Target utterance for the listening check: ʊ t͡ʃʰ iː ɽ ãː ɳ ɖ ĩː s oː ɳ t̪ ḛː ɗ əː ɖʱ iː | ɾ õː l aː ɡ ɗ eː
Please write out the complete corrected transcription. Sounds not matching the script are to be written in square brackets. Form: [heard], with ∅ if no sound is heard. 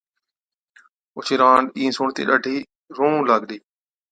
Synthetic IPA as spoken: ʊ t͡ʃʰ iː [ɾ] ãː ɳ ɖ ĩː s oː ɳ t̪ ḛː ɗ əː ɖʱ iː | ɾ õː l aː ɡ ɗ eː

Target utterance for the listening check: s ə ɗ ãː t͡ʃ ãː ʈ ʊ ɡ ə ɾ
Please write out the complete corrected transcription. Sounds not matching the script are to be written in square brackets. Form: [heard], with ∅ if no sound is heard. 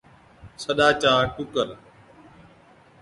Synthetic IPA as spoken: s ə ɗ [aː] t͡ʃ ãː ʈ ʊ [k] ə ɾ

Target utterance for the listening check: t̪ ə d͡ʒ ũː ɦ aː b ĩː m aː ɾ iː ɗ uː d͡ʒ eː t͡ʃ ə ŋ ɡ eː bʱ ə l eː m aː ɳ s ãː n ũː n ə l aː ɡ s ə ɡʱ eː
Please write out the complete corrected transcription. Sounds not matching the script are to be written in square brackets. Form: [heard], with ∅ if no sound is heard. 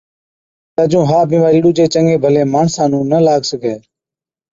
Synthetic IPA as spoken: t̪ ə d͡ʒ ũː ɦ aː b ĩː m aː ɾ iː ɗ uː d͡ʒ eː t͡ʃ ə ŋ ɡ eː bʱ ə l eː m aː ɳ s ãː n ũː n ə l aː ɡ s ə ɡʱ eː

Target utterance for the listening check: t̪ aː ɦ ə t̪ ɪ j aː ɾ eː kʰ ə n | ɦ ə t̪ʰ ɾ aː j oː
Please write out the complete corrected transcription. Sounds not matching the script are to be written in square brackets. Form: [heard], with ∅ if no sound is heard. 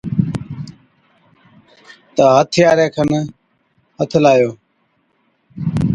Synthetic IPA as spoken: t̪ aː ɦ ə [t̪ʰ] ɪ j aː ɾ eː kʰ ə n | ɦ ə t̪ʰ [l] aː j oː

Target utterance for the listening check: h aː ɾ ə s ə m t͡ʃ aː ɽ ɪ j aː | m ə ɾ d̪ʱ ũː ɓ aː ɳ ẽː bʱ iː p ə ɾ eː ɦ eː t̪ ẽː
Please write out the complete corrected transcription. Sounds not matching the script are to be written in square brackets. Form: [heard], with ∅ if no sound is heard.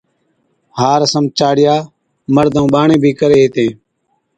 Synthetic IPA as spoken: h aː ɾ ə s ə m t͡ʃ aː ɽ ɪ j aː | m ə ɾ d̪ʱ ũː ɓ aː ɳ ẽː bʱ iː [k] ə ɾ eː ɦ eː t̪ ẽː

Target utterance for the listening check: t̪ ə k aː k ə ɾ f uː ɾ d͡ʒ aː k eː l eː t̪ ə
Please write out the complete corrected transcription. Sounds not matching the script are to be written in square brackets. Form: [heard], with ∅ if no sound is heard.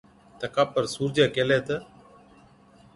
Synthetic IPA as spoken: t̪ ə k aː [p] ə ɾ [s] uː ɾ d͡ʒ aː k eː l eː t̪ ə

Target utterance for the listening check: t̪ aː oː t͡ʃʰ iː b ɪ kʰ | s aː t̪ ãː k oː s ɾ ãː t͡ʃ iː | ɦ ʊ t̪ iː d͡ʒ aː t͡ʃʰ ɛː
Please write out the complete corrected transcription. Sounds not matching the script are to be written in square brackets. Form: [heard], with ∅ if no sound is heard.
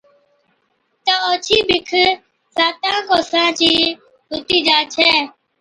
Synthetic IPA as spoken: t̪ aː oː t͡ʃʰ iː b ɪ kʰ | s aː t̪ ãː k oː s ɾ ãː t͡ʃ iː | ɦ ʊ t̪ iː d͡ʒ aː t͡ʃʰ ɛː

